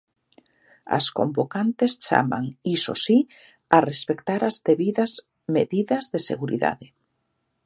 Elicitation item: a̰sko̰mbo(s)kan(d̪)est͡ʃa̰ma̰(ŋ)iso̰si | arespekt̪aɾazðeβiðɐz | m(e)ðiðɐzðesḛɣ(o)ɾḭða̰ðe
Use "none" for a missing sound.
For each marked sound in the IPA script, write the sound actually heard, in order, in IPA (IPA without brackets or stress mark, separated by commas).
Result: none, t̪, ŋ, e, u